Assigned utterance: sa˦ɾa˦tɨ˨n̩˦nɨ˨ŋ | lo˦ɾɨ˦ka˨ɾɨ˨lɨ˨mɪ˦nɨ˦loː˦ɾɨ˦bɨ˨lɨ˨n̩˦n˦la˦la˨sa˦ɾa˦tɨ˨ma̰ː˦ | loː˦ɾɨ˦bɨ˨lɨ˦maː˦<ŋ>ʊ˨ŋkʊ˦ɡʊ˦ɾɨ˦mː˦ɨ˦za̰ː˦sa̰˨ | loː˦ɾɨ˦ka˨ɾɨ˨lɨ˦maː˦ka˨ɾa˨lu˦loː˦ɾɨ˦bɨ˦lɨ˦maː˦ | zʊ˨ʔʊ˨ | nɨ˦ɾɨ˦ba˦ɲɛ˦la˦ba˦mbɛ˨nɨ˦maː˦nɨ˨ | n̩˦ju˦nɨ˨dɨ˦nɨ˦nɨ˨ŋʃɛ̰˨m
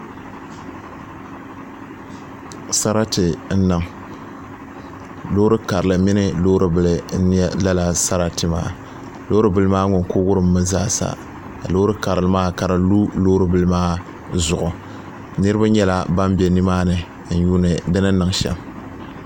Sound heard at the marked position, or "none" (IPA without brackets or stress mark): ŋ